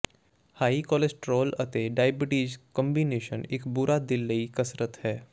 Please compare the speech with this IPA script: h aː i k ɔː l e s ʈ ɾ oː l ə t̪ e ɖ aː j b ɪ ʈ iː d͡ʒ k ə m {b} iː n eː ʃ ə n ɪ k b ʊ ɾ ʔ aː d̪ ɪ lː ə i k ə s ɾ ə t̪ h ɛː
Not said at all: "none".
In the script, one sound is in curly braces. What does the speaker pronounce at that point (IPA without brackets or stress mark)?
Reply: b